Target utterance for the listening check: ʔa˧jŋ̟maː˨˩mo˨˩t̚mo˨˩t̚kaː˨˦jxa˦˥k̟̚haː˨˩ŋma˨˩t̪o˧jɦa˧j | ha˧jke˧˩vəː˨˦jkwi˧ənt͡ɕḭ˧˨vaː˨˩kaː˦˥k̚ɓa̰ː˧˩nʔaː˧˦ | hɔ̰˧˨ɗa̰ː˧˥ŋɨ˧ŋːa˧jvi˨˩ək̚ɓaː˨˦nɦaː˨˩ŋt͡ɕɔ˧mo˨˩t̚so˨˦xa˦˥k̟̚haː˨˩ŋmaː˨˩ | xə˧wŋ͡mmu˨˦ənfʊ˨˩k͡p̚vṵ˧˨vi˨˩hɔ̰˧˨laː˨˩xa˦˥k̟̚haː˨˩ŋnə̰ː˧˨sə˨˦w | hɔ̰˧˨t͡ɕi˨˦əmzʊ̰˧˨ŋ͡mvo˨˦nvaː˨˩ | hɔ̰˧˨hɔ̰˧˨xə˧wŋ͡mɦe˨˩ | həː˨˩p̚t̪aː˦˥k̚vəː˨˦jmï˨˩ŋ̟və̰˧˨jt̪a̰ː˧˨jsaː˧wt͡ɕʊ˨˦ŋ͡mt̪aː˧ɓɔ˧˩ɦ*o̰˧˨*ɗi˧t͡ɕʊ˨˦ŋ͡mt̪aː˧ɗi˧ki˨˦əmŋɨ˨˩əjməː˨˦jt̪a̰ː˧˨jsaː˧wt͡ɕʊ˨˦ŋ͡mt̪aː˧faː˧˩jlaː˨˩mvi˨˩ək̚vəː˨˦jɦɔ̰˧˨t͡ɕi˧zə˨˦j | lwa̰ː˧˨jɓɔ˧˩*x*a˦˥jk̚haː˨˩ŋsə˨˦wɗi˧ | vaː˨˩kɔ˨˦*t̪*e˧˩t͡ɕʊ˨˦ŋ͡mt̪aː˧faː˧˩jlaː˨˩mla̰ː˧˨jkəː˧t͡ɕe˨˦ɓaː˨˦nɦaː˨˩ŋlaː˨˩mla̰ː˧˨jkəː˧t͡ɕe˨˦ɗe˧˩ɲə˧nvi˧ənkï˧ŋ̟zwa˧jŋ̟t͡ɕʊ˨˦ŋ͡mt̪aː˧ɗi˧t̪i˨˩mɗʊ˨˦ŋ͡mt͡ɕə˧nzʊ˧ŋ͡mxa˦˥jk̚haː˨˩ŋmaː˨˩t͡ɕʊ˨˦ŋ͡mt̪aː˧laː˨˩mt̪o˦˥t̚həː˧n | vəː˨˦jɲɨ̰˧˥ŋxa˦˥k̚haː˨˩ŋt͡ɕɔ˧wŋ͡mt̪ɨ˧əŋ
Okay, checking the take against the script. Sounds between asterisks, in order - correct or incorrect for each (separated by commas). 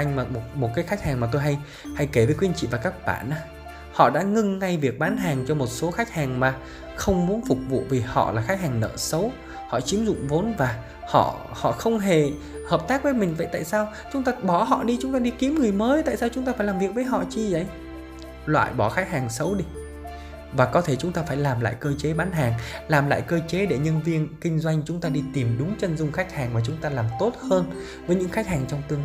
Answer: incorrect, correct, incorrect